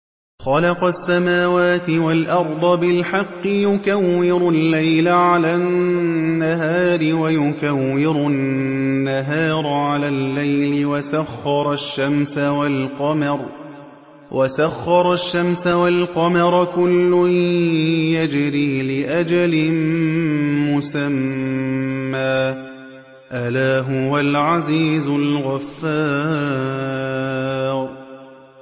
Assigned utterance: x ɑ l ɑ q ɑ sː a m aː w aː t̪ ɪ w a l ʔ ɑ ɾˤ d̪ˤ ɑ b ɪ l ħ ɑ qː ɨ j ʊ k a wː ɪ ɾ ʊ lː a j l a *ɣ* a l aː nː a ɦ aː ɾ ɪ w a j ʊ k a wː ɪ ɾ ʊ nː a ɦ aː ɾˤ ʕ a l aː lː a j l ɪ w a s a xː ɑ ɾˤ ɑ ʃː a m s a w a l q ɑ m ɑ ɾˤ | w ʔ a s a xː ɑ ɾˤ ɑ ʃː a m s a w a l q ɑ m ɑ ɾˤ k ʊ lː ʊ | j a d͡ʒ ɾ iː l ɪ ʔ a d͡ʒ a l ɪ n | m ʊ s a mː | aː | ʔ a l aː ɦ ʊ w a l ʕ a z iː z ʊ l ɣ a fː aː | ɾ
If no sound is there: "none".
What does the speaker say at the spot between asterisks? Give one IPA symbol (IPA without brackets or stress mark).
ʕ